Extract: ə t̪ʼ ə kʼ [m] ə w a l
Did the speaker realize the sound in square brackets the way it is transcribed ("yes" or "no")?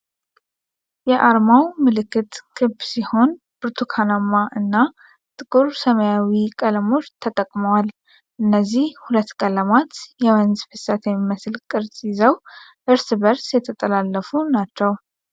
yes